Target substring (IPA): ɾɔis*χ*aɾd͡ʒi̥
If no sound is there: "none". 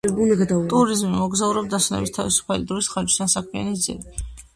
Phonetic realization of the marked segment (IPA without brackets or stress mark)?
χ